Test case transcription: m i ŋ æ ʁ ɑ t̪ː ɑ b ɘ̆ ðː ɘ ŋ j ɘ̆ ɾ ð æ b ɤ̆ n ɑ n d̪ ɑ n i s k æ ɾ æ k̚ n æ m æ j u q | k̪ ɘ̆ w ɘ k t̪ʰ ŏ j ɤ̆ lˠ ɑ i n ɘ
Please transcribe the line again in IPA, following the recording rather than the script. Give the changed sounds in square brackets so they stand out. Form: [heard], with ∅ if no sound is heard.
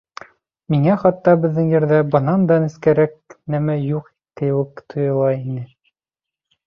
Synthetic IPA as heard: m i ŋ æ [χ] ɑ t̪ː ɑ b ɘ̆ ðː ɘ ŋ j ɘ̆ ɾ ð æ b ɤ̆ n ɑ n d̪ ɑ n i s k æ ɾ æ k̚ n æ m æ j u q | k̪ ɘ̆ w ɘ k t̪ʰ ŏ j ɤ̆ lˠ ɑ i n ɘ